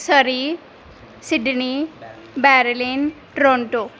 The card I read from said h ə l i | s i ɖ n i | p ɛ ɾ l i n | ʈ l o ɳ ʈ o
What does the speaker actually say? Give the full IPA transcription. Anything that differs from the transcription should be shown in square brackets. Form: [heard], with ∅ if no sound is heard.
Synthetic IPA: [s] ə [ɾ] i | s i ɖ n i | [b] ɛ ɾ l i n | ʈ [ɾ] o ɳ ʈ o

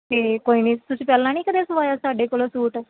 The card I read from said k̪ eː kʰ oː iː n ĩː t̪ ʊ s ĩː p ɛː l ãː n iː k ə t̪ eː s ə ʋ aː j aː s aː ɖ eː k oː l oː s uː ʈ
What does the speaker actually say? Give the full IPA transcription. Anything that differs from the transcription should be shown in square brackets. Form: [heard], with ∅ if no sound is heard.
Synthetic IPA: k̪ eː [k] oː iː n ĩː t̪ ʊ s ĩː p ɛː l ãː n iː k ə [d̪] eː s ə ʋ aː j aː s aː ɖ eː k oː l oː s uː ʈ

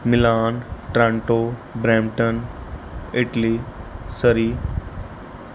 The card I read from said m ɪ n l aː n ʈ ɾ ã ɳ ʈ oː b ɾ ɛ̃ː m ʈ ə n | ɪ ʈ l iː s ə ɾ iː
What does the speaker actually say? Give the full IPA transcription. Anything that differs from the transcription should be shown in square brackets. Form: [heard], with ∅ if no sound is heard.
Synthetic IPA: m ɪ [∅] l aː n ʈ ɾ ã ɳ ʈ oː b ɾ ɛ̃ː m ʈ ə n | ɪ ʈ l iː s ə ɾ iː

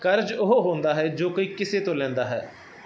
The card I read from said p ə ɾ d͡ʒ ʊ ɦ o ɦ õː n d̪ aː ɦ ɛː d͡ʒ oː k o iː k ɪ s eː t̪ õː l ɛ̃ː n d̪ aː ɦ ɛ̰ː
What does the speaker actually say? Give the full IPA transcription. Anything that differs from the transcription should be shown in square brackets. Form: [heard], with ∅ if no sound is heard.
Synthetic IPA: [k] ə ɾ d͡ʒ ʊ ɦ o ɦ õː n d̪ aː ɦ ɛː d͡ʒ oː k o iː k ɪ s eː t̪ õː l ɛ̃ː n d̪ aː ɦ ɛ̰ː

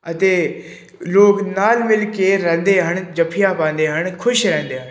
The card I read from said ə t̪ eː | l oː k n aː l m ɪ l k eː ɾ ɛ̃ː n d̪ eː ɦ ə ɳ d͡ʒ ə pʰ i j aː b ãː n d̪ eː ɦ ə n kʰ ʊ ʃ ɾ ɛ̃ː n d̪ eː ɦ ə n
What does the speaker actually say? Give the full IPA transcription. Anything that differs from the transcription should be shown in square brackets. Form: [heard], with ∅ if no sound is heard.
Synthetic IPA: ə t̪ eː | l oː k n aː l m ɪ l k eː ɾ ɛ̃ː n d̪ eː ɦ ə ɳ d͡ʒ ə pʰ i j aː [p] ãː n d̪ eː ɦ ə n kʰ ʊ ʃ ɾ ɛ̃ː n d̪ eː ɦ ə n

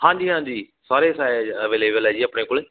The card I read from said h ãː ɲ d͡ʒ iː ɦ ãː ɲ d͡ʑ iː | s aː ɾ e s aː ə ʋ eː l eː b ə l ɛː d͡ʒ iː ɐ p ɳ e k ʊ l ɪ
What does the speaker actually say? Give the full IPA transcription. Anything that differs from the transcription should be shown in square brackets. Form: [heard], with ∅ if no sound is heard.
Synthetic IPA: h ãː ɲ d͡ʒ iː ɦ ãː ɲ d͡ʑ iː | s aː ɾ e s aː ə ʋ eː l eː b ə l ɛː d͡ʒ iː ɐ p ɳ e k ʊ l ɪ

